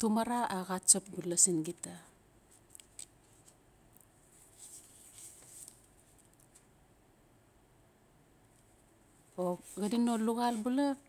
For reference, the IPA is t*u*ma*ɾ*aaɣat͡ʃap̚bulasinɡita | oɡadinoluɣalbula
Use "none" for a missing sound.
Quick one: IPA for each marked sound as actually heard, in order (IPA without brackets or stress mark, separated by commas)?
u, ɾ